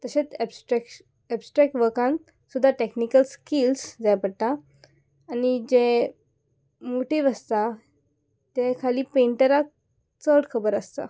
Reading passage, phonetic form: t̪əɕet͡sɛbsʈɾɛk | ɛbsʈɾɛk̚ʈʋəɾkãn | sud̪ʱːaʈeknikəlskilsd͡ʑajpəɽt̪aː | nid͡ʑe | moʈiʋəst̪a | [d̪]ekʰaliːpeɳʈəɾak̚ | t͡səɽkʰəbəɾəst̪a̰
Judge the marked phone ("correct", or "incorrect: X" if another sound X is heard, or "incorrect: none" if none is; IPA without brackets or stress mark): incorrect: t̪